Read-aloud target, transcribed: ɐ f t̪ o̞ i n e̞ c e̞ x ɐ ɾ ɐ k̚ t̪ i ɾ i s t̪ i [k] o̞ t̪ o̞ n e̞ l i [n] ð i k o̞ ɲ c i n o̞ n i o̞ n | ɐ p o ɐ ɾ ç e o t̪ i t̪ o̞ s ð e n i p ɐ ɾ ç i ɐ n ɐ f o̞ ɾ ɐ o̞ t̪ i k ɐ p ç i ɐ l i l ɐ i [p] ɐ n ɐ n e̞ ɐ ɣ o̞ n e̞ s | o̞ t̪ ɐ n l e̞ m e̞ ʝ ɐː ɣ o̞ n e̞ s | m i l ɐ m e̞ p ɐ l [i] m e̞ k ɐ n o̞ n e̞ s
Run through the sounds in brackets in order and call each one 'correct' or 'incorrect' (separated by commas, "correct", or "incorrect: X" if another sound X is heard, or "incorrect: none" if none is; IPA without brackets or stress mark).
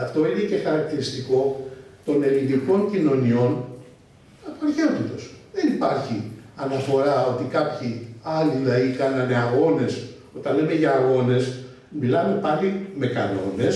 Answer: correct, correct, incorrect: k, correct